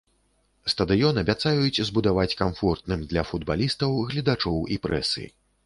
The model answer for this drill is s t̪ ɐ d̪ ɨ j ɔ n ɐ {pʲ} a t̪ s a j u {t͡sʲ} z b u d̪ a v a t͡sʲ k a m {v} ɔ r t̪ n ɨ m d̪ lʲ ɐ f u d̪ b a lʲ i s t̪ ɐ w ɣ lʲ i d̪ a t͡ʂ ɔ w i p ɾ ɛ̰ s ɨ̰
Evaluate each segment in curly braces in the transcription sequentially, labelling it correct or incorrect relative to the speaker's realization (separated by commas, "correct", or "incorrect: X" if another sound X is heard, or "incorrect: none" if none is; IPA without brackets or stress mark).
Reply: incorrect: bʲ, correct, incorrect: f